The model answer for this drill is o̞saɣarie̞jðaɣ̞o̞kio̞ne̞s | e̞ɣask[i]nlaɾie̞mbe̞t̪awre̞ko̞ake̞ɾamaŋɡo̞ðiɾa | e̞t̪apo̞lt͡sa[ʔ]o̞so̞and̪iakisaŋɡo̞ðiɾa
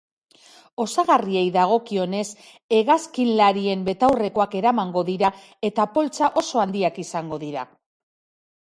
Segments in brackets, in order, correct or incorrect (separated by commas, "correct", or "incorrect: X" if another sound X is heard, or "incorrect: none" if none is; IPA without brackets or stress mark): correct, correct